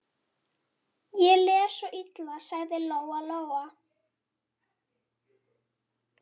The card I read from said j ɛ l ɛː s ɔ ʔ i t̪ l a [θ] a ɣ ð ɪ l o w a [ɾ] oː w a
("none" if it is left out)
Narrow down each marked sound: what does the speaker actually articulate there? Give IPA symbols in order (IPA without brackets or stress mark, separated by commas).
s, l